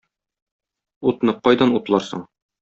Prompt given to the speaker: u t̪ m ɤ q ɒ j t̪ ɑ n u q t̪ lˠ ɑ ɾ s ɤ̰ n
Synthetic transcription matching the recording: u t̪ n ɤ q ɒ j d̪ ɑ n u t̪ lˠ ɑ ɾ s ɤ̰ ɴ